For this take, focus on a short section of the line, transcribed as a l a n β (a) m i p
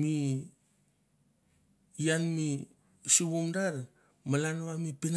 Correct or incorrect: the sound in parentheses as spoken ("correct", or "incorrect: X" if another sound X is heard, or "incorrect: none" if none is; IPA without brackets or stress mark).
correct